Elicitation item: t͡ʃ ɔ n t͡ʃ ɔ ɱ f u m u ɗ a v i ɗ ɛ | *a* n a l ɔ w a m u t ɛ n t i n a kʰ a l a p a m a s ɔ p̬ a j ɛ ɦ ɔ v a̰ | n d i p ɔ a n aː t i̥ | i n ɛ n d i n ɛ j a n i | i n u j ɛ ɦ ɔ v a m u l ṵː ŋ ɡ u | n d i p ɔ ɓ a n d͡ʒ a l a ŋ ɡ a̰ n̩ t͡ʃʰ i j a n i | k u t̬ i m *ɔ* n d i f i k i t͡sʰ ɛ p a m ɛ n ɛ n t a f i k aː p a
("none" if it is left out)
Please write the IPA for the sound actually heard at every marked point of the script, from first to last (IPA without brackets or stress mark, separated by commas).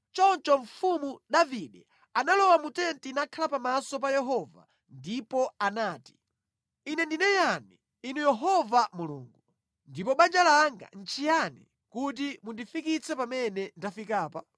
a, u